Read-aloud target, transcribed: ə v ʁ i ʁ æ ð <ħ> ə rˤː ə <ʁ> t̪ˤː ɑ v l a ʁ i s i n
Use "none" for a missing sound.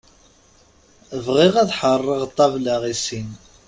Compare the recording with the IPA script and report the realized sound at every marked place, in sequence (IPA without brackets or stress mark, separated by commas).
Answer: ħ, ʁ